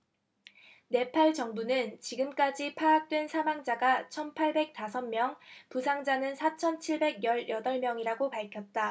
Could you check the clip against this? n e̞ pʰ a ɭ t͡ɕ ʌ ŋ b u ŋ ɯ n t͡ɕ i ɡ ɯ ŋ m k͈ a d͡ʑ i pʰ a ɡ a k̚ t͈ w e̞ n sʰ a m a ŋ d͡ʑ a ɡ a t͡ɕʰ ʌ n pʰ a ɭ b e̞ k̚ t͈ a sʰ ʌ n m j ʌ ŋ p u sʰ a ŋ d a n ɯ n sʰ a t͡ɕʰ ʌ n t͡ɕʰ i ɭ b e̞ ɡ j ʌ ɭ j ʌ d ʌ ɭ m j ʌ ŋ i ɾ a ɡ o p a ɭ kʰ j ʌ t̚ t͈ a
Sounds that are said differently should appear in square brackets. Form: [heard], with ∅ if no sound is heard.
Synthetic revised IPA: n e̞ pʰ a ɭ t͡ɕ ʌ ŋ b u [n] ɯ n t͡ɕ i ɡ ɯ [∅] m k͈ a d͡ʑ i pʰ a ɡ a k̚ t͈ w e̞ n sʰ a m a ŋ d͡ʑ a ɡ a t͡ɕʰ ʌ n pʰ a ɭ b e̞ k̚ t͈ a sʰ ʌ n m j ʌ ŋ p u sʰ a ŋ [d͡ʑ] a n ɯ n sʰ a t͡ɕʰ ʌ n t͡ɕʰ i ɭ b e̞ ɡ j ʌ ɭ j ʌ d ʌ ɭ m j ʌ ŋ i ɾ a ɡ o p a ɭ kʰ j ʌ t̚ t͈ a